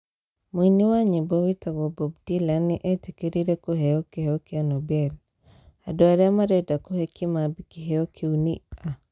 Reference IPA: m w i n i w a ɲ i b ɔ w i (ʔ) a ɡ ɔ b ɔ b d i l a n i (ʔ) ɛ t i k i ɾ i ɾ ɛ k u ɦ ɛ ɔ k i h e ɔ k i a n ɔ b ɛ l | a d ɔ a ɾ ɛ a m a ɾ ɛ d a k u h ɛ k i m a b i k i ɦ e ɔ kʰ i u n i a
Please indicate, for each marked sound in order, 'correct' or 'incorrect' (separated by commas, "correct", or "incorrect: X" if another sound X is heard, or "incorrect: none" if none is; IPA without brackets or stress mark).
incorrect: t, correct